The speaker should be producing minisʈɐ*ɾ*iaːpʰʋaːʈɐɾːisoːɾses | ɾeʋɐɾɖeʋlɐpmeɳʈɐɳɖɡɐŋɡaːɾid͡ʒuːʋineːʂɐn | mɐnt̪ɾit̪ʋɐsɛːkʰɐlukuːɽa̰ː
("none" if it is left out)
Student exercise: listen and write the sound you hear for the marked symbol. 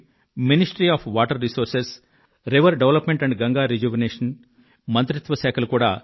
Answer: ɾ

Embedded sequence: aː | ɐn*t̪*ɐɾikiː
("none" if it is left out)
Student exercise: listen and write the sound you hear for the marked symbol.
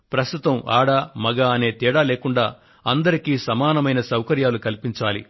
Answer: d̪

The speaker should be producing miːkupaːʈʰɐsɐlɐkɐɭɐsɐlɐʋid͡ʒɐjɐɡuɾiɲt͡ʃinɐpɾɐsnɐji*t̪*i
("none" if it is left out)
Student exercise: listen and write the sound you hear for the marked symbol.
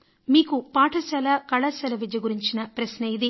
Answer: d̪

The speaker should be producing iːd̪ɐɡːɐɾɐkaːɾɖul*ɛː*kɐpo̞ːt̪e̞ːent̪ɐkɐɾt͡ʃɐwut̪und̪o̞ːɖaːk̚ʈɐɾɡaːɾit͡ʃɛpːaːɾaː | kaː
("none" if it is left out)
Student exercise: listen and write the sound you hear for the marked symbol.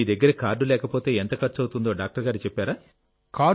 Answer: ɛː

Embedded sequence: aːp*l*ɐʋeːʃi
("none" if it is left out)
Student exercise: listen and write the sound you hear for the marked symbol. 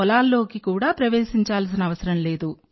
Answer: ɾ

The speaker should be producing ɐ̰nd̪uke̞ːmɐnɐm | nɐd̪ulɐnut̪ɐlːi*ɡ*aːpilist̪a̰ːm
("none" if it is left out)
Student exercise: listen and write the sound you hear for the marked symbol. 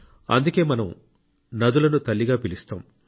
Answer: ɡ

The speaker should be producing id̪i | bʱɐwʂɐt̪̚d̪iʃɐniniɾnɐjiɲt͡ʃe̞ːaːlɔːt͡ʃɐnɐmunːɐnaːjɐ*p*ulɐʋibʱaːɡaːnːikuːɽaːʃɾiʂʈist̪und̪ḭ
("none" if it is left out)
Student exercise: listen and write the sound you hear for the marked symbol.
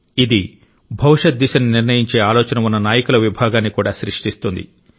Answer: k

